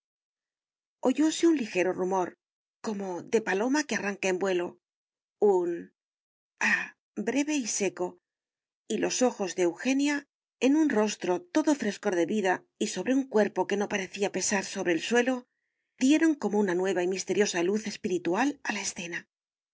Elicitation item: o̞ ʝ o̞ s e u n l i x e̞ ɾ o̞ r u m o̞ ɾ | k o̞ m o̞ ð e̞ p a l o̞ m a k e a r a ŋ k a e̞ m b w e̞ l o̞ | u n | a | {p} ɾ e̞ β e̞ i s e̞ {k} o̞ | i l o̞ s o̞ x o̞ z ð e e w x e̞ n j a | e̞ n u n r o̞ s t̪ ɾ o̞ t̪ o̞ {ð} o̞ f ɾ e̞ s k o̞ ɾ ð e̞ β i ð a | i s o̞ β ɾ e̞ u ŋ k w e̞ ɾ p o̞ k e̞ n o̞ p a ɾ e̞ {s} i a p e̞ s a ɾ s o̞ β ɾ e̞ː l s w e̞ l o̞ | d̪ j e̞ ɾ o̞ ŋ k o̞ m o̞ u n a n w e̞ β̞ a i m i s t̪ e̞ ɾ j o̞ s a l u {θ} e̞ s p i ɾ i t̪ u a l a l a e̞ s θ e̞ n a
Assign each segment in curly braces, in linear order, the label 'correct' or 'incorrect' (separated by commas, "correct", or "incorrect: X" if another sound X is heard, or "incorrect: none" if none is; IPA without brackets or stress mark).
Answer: incorrect: b, correct, correct, incorrect: θ, correct